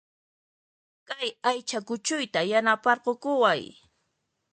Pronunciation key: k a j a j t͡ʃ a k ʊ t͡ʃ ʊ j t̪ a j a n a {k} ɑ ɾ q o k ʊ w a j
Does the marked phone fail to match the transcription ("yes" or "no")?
yes